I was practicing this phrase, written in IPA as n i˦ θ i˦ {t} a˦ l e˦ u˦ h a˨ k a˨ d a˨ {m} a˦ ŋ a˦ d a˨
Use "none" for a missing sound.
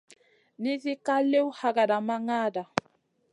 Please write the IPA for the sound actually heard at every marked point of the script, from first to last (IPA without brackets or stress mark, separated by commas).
k, m